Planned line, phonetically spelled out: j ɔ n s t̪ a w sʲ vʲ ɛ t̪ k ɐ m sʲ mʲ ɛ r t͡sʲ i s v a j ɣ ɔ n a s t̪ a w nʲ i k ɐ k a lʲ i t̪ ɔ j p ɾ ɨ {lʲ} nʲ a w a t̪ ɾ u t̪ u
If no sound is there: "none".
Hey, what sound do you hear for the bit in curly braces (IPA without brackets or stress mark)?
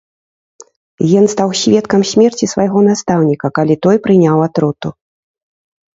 none